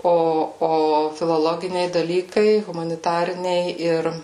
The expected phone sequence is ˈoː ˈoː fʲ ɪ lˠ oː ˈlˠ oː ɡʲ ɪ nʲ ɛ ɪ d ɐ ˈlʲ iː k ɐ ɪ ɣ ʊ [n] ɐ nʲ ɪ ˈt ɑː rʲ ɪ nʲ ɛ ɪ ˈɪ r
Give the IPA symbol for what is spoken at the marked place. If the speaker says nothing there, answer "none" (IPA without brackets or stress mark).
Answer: m